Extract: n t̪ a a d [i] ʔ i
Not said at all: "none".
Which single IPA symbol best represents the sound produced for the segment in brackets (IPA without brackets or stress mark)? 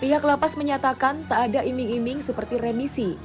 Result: a